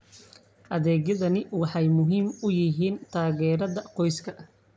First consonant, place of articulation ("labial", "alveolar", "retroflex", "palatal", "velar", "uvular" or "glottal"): glottal